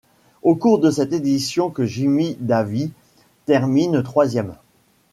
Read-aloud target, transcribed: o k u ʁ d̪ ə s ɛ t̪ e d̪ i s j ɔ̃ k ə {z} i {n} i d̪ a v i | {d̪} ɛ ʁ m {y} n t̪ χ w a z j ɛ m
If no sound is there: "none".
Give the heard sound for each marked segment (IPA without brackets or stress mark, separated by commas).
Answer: ʒ, m, t̪, i